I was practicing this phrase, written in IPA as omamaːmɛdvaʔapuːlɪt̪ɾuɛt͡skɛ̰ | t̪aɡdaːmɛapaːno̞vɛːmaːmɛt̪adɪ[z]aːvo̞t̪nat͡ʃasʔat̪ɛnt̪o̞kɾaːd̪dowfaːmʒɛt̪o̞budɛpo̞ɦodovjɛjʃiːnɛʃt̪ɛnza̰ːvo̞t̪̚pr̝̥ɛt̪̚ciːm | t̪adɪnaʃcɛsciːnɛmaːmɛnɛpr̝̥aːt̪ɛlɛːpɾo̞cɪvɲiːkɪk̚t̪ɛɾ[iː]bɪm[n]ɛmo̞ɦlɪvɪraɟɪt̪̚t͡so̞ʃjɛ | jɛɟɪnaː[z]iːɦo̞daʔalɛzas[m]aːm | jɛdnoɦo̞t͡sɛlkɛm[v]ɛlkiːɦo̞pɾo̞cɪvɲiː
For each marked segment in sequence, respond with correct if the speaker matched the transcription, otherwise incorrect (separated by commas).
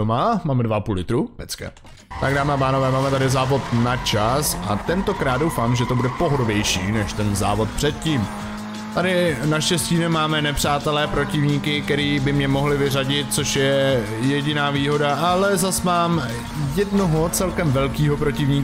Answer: correct, correct, incorrect, incorrect, correct, correct